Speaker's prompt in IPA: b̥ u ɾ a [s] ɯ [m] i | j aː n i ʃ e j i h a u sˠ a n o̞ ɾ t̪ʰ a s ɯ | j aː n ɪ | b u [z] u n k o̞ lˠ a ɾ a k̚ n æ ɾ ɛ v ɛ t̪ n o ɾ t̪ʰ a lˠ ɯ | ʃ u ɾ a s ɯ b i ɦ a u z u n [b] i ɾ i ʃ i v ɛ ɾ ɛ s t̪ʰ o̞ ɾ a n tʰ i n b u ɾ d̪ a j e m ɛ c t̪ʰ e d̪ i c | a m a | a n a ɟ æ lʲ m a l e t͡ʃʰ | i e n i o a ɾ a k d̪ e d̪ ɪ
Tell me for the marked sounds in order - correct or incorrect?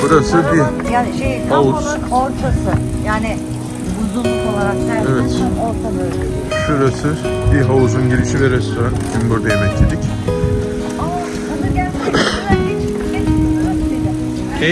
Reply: correct, incorrect, correct, incorrect

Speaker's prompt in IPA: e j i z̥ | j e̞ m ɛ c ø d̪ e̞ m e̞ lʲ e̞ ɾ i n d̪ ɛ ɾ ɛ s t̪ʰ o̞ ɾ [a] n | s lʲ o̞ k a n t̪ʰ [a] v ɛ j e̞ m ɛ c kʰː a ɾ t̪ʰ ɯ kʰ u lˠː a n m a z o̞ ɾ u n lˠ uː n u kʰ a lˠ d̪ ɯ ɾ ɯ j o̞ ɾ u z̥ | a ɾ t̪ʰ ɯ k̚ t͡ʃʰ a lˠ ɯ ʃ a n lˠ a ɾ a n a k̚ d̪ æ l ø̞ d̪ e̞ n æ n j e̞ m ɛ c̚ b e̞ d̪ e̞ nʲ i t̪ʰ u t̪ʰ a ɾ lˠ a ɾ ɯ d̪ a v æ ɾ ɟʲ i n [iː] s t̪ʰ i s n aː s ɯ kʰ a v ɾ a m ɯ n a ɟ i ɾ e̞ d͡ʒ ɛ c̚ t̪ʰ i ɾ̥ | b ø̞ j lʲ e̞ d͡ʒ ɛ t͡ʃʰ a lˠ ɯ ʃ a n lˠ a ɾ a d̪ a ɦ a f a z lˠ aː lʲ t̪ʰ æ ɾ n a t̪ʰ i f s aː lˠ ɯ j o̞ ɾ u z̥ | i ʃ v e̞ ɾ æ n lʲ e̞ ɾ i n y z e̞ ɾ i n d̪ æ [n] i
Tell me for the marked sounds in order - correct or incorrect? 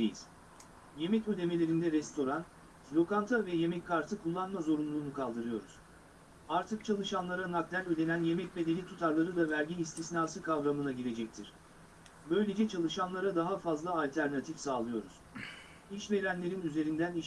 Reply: correct, correct, incorrect, correct

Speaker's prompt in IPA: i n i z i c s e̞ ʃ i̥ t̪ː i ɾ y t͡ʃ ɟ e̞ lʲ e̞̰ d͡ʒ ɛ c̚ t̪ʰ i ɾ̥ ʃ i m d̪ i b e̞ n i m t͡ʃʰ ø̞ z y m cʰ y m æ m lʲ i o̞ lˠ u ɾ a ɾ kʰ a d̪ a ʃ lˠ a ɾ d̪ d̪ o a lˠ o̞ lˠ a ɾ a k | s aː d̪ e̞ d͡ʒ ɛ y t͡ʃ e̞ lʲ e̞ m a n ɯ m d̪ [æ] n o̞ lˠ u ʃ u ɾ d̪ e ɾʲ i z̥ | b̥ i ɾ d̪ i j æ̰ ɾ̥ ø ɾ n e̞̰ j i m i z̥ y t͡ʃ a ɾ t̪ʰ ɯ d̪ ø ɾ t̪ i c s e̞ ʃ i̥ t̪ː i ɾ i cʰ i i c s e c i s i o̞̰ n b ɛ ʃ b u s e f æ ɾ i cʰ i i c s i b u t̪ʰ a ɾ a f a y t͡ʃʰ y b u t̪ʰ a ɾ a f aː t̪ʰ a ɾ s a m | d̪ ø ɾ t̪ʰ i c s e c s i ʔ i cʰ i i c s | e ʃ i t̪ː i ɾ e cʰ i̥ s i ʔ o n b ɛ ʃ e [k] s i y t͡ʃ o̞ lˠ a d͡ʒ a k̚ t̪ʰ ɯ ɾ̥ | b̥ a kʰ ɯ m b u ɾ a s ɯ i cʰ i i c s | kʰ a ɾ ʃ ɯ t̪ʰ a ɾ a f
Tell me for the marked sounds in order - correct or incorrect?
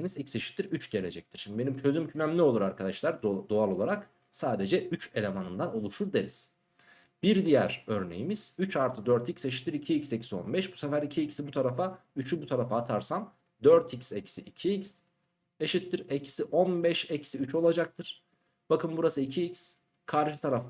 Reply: incorrect, incorrect

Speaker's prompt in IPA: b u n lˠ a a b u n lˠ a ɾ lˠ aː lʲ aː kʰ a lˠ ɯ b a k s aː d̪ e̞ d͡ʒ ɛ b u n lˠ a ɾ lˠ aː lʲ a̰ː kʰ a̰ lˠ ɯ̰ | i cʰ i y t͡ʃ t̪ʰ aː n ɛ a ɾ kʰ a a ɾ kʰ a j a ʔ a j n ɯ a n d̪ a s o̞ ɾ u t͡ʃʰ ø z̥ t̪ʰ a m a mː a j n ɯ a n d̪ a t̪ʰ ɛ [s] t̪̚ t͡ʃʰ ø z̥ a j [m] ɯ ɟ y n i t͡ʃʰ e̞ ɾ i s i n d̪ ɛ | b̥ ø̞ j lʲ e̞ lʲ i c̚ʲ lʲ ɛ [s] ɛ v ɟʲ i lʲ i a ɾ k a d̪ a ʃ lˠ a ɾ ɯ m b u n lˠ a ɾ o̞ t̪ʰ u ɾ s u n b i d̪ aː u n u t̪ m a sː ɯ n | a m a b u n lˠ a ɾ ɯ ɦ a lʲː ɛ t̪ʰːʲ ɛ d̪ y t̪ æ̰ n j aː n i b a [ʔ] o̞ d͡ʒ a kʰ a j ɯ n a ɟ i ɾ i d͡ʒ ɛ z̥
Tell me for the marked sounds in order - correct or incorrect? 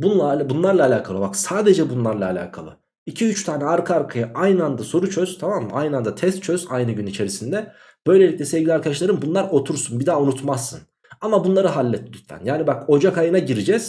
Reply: correct, incorrect, correct, incorrect

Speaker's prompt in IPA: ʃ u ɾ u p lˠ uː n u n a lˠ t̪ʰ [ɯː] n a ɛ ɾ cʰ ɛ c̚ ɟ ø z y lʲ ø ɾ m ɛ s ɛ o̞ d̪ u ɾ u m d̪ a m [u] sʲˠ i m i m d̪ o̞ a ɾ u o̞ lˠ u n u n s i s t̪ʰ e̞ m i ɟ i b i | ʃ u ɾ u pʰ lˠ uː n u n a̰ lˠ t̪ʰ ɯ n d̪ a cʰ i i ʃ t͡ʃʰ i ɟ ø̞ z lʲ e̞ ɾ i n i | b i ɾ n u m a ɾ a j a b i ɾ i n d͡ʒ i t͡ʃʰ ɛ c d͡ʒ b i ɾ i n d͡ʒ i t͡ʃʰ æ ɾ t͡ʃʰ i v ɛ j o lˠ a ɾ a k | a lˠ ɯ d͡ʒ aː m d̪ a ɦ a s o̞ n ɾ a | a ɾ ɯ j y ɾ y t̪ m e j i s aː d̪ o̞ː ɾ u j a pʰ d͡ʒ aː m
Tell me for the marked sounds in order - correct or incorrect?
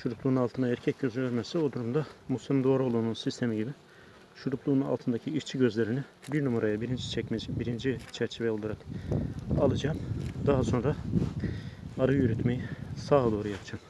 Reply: incorrect, correct

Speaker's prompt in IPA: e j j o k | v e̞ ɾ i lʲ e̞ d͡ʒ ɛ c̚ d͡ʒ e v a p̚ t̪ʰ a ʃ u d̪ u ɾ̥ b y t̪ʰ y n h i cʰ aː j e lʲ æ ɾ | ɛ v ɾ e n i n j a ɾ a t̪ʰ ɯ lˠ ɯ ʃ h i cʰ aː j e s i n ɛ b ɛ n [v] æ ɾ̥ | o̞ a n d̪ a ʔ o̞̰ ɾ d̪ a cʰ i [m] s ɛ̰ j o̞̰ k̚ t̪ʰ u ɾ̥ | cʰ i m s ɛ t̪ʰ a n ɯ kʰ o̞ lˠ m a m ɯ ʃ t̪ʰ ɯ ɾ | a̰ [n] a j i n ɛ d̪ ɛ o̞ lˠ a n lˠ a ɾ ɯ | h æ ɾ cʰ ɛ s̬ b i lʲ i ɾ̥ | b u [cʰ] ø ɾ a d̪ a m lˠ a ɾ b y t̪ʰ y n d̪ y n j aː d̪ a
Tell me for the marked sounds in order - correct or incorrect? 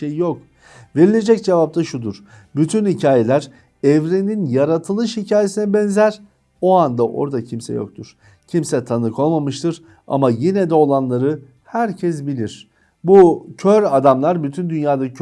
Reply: incorrect, correct, incorrect, correct

